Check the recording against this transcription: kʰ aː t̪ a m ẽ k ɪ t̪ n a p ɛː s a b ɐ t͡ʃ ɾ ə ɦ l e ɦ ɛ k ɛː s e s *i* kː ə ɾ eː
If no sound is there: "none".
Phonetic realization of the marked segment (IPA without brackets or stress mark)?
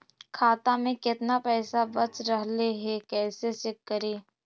ɪ